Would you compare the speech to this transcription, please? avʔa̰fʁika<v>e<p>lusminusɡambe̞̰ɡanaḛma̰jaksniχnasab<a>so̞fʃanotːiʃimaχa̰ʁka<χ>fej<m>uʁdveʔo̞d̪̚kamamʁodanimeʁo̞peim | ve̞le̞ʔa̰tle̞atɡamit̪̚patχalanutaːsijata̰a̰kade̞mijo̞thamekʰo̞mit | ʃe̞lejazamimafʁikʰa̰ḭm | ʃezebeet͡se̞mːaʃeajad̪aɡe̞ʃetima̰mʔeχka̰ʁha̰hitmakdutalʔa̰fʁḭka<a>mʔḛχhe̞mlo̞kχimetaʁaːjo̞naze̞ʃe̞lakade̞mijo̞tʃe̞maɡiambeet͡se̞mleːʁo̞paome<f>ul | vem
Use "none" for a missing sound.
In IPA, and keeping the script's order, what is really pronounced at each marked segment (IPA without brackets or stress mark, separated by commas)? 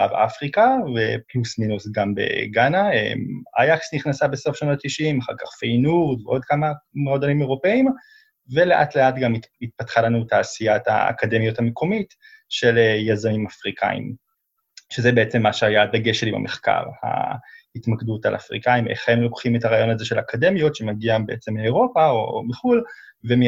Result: v, p, e, χ, n, i, χ